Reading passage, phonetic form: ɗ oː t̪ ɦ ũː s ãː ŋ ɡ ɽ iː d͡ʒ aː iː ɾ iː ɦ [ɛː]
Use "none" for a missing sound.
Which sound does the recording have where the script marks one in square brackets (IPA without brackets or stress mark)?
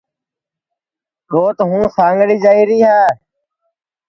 aː